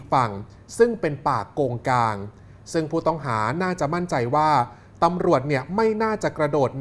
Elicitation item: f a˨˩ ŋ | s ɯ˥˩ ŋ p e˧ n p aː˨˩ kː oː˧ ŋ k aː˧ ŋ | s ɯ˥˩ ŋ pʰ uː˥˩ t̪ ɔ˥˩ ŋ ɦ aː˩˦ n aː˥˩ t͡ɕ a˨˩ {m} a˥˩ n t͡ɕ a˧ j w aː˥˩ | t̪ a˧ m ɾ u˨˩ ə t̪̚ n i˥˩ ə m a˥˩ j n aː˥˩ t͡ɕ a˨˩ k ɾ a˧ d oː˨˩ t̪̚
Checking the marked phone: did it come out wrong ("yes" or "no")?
no